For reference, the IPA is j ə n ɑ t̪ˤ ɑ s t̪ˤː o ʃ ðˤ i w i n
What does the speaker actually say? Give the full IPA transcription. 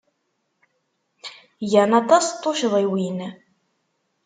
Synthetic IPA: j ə n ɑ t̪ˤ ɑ s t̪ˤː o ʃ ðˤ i w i n